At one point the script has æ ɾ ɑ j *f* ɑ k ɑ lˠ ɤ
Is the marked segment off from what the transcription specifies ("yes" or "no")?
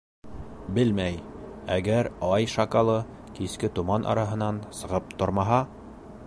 yes